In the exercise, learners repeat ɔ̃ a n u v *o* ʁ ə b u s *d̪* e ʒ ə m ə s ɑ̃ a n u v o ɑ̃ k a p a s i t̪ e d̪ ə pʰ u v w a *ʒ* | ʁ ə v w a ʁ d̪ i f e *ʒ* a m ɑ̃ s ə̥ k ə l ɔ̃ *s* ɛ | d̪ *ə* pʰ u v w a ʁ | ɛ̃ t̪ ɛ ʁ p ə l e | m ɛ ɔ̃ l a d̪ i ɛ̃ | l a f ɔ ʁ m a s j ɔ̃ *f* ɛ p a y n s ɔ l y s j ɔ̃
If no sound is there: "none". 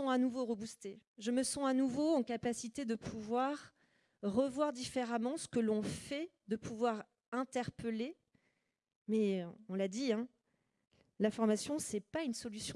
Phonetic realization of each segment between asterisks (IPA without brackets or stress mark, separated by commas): o, t̪, ʁ, ʁ, f, ə, s